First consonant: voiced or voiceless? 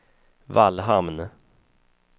voiced